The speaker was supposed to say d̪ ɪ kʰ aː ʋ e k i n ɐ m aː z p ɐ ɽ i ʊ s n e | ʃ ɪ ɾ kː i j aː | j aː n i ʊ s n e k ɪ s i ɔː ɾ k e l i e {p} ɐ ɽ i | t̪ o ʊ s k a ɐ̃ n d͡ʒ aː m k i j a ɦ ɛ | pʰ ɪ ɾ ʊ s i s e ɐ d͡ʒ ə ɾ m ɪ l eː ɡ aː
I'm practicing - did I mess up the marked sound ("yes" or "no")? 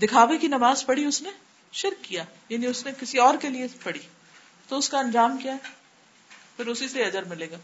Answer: no